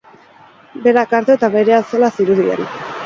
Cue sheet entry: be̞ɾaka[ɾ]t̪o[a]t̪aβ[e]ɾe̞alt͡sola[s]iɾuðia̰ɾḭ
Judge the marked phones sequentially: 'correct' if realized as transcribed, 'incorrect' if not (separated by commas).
correct, incorrect, correct, correct